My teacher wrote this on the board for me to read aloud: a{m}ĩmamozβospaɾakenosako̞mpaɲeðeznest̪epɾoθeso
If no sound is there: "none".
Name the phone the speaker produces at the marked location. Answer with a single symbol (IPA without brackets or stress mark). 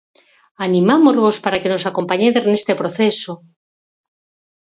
n